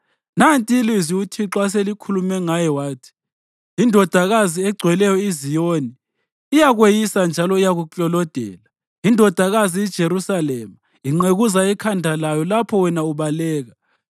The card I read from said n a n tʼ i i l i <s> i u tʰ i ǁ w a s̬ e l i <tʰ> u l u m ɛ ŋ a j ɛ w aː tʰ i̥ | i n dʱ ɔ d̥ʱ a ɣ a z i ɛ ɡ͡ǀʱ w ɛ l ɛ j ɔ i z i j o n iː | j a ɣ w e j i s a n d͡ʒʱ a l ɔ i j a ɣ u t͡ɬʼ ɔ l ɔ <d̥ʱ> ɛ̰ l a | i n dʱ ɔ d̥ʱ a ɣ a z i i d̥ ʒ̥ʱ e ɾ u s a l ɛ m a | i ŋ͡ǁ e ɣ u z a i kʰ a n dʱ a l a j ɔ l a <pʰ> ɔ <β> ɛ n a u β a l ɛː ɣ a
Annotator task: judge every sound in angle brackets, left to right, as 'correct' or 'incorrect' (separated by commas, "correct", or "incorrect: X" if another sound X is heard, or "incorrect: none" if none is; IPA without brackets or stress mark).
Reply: incorrect: z, incorrect: kʰ, correct, correct, incorrect: w